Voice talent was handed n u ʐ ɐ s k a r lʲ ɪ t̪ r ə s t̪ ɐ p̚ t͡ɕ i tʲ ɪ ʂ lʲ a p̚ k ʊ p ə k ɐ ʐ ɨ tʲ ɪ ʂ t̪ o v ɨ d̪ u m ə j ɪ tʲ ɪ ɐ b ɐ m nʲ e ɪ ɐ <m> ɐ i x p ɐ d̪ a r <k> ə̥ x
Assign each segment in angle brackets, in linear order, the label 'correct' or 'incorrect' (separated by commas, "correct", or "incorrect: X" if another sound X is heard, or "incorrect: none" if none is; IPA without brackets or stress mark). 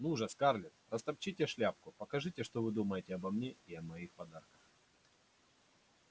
correct, correct